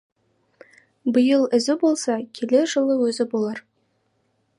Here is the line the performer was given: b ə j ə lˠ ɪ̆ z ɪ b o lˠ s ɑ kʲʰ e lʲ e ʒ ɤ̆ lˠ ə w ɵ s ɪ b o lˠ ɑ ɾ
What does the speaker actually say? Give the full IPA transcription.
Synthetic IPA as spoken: b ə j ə lˠ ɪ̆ z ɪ b o lˠ s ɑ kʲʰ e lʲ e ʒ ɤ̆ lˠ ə w ɵ z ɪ b o lˠ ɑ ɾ

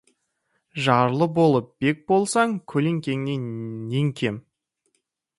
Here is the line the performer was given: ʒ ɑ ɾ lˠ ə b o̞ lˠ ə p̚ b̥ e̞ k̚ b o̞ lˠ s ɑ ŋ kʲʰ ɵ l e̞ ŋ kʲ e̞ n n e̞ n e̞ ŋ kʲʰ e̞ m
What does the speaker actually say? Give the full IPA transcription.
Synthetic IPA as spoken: ʒ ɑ ɾ lˠ ə b o̞ lˠ ə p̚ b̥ e̞ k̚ b o̞ lˠ s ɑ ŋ kʲʰ ɵ l e̞ ŋ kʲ e̞ ŋ n e̞ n e̞ ŋ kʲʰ e̞ m

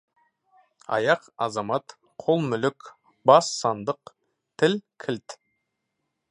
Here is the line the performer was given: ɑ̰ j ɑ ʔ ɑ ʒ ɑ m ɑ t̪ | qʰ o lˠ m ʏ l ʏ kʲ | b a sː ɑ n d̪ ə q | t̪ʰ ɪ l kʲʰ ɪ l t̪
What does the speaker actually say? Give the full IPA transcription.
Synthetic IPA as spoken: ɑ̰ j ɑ q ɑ z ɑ m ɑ t̪ | qʰ o lˠ m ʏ l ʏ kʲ | b ɑ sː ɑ n d̪ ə q | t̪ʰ ɪ l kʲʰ ɪ l t̪

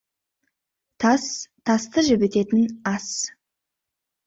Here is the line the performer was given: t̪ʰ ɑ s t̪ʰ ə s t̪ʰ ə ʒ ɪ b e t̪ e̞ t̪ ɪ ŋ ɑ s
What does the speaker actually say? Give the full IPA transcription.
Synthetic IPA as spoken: t̪ʰ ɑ s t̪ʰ ɑ s t̪ ə ʒ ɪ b e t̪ e̞ t̪ ɪ n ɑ s

